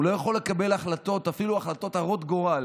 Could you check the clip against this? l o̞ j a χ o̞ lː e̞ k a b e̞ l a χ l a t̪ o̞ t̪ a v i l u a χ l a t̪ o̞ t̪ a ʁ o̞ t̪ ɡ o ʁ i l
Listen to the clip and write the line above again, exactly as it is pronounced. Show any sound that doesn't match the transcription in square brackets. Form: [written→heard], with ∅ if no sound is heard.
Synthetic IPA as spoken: l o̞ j a χ o̞ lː e̞ k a b e̞ l a χ l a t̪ o̞ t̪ a [v→f] i l u a χ l a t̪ o̞ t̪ a ʁ o̞ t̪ ɡ o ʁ [i→a] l